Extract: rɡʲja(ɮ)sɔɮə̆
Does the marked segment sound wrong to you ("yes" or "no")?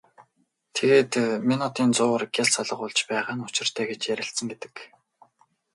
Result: no